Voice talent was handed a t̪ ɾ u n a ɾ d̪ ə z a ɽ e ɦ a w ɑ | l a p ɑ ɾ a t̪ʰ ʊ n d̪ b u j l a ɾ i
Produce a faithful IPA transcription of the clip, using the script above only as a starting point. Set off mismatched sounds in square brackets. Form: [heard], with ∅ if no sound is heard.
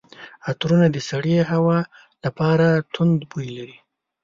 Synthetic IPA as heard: a t̪ ɾ u n a [∅] d̪ ə [s] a ɽ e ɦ a w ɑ | l a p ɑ ɾ a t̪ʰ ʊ n d̪ b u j l a ɾ i

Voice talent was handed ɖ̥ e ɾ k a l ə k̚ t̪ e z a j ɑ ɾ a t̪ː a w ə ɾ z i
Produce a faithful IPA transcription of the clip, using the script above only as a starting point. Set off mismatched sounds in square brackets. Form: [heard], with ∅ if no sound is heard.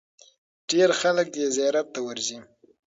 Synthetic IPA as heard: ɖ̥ e ɾ [x] a l ə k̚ [d̪] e z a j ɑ ɾ a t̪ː a w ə ɾ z i

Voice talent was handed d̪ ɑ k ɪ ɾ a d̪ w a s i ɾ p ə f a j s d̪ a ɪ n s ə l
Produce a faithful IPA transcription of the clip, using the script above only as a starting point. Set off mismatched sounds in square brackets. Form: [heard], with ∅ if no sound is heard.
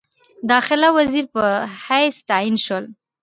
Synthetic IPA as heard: d̪ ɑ [x] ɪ [l] a [∅] w a [z] i ɾ p ə [h] a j s [t̪] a [i] n [ʃ] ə l

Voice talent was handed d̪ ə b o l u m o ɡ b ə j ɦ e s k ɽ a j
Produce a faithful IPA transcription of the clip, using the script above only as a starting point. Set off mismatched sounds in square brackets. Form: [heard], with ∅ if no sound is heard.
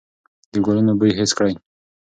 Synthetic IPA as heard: d̪ ə [ɡ] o l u [n] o [∅] b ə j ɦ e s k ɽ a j

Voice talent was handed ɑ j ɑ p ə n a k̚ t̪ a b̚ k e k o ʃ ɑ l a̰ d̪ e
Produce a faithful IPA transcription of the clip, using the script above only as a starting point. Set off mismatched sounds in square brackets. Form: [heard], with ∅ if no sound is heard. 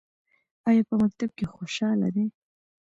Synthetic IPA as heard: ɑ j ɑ p ə [m] a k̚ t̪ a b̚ k e [x] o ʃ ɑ l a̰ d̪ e

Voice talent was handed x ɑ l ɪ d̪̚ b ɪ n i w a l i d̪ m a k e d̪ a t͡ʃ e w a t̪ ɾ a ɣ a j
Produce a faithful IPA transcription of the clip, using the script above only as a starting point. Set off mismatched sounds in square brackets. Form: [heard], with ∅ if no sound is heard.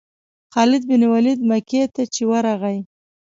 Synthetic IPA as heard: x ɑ l ɪ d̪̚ b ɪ n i w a l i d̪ m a k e [t̪] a t͡ʃ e w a [∅] ɾ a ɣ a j

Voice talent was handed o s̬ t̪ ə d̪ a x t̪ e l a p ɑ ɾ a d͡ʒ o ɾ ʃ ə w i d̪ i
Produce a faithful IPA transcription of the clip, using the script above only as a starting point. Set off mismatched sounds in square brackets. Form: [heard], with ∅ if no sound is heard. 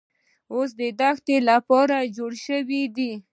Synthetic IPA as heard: o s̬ [d̪] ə d̪ a x t̪ e l a p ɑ ɾ a d͡ʒ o [ɽ] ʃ ə w i d̪ i

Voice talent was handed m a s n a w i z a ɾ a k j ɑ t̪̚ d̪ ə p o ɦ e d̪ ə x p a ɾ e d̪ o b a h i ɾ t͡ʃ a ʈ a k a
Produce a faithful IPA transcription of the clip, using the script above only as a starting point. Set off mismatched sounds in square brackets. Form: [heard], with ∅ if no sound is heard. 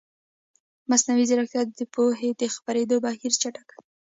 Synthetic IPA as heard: m a s n a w i z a ɾ a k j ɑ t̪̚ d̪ ə p o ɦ e d̪ ə x p a ɾ e d̪ o b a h i ɾ t͡ʃ a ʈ a k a

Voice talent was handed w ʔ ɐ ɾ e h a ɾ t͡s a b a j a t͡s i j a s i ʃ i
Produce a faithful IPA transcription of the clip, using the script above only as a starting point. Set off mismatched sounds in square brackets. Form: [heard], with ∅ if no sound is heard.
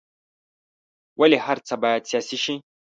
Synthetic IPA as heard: w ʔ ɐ [l] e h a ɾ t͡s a b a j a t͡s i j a s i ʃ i

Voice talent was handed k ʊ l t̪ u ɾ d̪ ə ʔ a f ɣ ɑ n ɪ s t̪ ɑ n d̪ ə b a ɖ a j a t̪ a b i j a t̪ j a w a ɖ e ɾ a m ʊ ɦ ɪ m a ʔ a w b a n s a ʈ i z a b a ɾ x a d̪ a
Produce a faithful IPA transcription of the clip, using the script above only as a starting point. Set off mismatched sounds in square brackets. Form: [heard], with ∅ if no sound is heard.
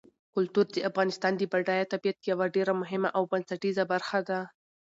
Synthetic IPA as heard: k ʊ l t̪ u ɾ d̪ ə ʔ a f ɣ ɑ n ɪ s t̪ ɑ n d̪ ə b a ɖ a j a t̪ a b i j a t̪ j a w a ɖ e ɾ a m ʊ ɦ ɪ m a ʔ a w b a n s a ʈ i z a b a ɾ x a d̪ a

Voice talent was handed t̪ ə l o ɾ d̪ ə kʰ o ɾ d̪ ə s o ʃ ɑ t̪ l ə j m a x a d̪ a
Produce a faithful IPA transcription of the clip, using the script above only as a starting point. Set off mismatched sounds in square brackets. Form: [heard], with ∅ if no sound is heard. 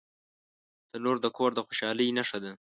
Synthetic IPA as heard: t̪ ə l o ɾ d̪ ə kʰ o ɾ d̪ ə [x] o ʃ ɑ [∅] l ə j [n] a [ʂ] a d̪ a

